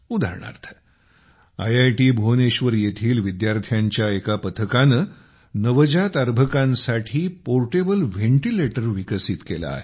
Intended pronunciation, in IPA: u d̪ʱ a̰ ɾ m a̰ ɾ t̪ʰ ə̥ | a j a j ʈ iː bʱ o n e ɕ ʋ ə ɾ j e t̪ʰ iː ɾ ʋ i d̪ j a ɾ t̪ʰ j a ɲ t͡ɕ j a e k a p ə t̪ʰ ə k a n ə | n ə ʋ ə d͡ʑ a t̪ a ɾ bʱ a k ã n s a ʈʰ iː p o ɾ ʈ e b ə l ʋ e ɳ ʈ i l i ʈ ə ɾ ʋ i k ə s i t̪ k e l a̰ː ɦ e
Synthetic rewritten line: u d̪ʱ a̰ ɾ ɳ a̰ ɾ t̪ʰ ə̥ | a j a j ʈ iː bʱ o n e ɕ ʋ ə ɾ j e t̪ʰ iː l ʋ i d̪ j a ɾ t̪ʰ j a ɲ t͡ɕ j a e k a p ə t̪ʰ ə k a n ə | n ə ʋ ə d͡ʑ a t̪ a ɾ bʱ ə k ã n s a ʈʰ iː p o ɾ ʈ e b ə l ʋ e ɳ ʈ i l e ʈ ə ɾ ʋ i k ə s i t̪ k e l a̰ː ɦ e